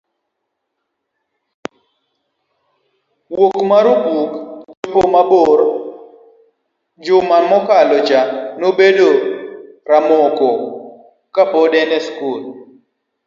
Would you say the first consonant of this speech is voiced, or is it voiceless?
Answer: voiced